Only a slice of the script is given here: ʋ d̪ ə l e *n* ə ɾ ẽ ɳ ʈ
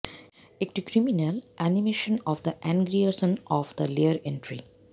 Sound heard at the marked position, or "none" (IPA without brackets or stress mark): none